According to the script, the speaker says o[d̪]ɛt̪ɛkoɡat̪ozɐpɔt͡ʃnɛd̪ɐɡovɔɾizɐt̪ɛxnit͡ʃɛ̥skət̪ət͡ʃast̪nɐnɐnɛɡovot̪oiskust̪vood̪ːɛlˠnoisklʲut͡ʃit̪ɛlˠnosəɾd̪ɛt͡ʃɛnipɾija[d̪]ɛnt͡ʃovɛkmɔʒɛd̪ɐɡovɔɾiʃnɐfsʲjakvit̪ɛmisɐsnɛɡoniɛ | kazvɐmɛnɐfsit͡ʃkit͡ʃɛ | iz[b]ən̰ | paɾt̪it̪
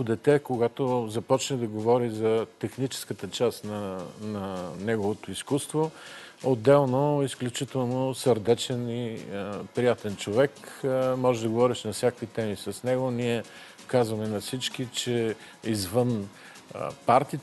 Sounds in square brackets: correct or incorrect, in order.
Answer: correct, incorrect, incorrect

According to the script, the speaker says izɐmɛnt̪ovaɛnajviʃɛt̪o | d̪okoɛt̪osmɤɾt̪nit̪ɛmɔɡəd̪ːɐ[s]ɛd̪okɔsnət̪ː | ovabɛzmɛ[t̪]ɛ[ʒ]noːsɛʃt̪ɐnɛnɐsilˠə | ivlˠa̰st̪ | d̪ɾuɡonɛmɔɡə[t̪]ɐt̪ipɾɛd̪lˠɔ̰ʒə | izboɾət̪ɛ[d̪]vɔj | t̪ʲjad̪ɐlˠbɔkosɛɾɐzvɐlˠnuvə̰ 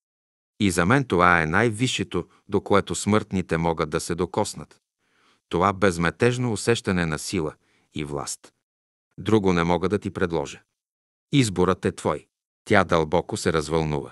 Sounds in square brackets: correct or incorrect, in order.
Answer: correct, correct, correct, incorrect, incorrect

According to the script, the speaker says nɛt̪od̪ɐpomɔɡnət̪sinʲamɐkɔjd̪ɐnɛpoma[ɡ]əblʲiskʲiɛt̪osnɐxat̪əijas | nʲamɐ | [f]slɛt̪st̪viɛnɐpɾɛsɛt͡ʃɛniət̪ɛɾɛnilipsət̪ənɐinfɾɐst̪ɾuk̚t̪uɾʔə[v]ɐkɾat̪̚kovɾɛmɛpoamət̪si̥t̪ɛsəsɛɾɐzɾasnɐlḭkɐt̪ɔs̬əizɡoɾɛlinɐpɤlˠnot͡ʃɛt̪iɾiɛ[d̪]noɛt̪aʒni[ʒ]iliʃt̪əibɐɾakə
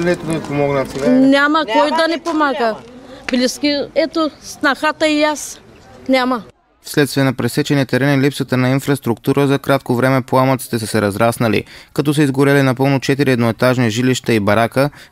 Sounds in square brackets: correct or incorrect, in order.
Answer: correct, correct, incorrect, correct, correct

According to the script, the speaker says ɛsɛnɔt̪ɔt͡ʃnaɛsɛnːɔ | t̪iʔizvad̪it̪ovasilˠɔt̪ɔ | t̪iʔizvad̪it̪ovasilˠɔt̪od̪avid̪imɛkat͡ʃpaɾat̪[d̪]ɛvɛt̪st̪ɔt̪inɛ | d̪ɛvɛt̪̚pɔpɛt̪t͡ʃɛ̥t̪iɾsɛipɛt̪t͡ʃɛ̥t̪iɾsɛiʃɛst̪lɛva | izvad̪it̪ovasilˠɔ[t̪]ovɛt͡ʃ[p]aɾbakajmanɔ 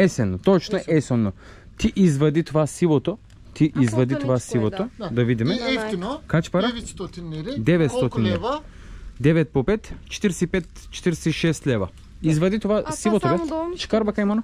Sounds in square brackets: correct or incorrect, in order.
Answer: correct, correct, incorrect

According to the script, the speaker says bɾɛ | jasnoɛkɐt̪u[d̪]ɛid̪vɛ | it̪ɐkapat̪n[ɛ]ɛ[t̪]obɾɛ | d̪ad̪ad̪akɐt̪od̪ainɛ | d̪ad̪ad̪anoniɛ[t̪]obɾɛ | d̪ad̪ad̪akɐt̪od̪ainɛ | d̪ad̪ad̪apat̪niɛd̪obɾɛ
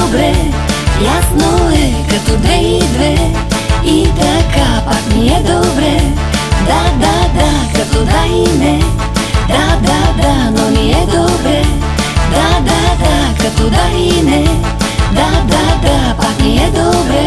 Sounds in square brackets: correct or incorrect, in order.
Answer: correct, incorrect, incorrect, incorrect

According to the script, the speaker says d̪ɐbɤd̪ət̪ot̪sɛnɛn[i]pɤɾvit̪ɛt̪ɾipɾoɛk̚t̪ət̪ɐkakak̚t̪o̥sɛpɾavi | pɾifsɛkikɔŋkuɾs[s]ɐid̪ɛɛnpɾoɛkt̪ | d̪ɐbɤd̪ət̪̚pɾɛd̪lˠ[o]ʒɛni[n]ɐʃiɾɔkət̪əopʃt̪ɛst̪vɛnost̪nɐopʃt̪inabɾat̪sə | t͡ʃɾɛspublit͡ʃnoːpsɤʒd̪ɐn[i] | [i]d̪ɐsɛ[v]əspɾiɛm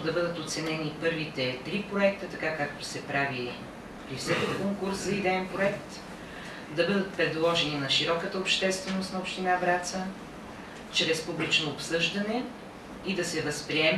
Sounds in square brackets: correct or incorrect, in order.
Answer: correct, incorrect, incorrect, correct, incorrect, correct, correct

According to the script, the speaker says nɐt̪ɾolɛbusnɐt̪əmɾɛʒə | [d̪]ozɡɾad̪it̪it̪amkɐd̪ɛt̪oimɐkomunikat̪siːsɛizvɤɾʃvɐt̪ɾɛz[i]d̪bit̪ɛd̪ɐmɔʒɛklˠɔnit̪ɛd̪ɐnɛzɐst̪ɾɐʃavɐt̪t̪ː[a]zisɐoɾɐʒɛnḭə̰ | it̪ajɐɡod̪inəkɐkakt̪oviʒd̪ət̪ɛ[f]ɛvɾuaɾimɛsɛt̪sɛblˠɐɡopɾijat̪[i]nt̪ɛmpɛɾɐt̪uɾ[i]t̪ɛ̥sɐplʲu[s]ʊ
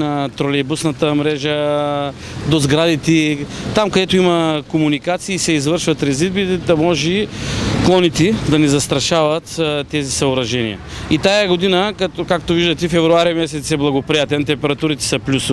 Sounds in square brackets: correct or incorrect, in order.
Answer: correct, correct, incorrect, correct, incorrect, correct, correct

